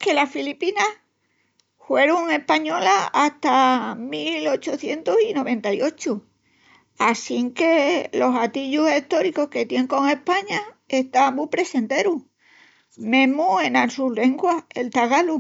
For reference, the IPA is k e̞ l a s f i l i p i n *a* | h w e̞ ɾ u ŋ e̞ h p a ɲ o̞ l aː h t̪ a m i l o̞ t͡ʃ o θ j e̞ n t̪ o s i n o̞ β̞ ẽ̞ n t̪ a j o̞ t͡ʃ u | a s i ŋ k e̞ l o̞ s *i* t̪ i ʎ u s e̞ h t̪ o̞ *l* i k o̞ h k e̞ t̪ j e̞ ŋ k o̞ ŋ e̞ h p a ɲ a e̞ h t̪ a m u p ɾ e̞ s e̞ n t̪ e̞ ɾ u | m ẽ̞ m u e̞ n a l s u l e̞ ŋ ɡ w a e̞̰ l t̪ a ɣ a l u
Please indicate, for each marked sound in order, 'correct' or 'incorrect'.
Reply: correct, incorrect: a, incorrect: ɾ

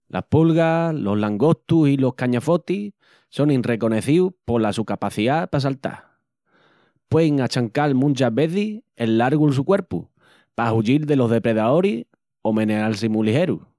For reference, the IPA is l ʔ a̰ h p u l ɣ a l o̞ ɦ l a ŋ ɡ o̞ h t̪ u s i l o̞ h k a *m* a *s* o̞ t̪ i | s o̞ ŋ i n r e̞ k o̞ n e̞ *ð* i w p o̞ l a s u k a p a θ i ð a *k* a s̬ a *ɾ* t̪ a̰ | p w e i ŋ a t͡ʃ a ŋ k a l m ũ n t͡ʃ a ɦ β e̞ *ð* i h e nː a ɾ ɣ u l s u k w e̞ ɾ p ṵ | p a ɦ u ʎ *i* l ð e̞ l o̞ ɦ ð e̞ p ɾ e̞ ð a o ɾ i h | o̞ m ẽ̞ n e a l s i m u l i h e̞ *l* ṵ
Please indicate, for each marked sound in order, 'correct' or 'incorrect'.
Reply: incorrect: ɲ, incorrect: f, incorrect: θ, incorrect: p, incorrect: l, incorrect: θ, correct, incorrect: ɾ

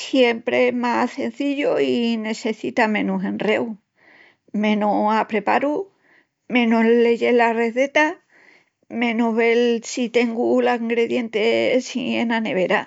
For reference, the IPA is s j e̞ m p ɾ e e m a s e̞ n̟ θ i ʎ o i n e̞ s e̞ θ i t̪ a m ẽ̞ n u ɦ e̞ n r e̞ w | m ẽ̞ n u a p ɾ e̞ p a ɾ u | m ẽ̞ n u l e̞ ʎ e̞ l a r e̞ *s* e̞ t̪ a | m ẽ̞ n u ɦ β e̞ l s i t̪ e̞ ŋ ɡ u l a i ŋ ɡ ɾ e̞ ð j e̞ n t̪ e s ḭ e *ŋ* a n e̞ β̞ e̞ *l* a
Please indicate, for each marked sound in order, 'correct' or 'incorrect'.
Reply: incorrect: θ, incorrect: n, incorrect: ɾ

